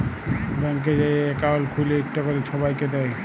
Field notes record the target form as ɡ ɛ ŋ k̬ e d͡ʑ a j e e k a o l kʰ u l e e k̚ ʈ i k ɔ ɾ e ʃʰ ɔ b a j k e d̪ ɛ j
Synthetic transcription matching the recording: b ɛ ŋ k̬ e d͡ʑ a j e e k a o l kʰ u l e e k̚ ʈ a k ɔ ɾ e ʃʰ ɔ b a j k e d̪ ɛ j